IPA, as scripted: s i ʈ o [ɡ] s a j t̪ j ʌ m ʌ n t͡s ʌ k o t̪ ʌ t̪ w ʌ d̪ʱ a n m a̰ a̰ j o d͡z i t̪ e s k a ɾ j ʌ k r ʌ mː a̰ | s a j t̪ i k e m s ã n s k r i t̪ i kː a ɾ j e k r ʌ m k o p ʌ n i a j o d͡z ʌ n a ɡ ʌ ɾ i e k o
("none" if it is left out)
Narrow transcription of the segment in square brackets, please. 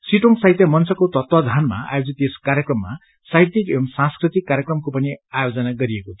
ŋ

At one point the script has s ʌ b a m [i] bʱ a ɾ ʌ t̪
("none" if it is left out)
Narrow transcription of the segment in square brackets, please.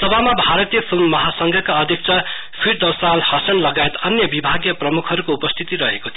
a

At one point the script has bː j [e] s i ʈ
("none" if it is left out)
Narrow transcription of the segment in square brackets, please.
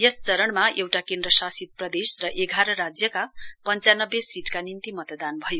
e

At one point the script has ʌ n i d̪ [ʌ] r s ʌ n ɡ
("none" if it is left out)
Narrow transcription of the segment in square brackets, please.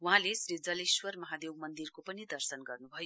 ʌ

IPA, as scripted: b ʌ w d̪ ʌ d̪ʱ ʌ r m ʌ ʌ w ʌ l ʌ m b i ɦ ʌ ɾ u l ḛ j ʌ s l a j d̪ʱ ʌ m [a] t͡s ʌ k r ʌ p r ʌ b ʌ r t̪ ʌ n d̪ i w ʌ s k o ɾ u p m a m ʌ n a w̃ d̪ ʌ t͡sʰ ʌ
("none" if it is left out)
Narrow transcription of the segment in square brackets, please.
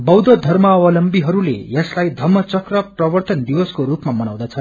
ʌ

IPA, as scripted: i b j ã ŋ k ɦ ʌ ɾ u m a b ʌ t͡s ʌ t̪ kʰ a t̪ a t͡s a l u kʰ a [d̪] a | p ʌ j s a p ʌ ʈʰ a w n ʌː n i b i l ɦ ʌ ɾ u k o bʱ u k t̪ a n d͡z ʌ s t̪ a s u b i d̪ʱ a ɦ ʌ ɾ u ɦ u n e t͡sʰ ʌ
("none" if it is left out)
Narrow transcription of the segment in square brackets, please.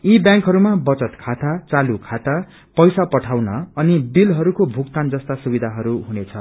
t̪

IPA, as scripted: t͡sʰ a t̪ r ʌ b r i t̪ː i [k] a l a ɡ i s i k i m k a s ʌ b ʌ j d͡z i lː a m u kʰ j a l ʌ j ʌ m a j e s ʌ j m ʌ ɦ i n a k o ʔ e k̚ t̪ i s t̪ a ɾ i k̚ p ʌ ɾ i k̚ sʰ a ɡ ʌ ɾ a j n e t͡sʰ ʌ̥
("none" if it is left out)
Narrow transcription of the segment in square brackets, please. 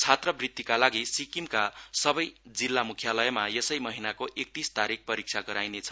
k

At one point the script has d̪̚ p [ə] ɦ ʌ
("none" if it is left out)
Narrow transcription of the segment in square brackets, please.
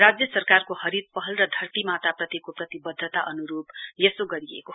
ʌ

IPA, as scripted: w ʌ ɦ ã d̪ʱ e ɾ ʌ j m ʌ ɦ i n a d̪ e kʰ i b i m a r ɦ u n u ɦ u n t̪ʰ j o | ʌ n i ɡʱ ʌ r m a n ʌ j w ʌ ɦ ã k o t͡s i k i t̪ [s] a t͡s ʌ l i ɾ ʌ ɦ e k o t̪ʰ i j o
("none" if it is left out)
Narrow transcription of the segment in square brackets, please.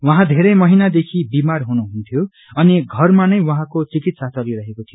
s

